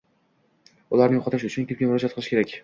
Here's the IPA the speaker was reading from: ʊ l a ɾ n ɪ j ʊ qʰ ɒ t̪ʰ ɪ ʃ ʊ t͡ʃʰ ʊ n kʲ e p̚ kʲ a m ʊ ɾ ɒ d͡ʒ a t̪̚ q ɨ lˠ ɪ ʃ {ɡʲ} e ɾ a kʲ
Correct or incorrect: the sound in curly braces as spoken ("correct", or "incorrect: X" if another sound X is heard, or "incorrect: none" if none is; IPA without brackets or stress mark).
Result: incorrect: kʲ